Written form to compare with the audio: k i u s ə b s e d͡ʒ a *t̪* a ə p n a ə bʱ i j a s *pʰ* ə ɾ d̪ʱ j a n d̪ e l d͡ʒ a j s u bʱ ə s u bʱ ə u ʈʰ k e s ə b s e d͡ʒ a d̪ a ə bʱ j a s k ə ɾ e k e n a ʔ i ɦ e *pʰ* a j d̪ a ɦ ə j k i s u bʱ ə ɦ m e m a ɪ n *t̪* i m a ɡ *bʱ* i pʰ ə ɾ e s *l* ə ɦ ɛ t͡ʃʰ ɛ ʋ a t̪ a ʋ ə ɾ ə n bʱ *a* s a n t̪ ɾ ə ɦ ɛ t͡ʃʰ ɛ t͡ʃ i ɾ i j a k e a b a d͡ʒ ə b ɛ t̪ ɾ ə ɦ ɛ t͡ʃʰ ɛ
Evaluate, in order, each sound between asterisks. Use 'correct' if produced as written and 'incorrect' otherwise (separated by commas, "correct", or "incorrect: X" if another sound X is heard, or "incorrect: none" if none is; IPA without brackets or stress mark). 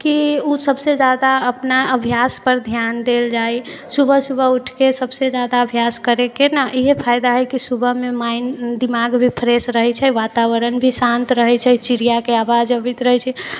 incorrect: d̪, incorrect: p, correct, incorrect: d̪, correct, incorrect: ɾ, incorrect: i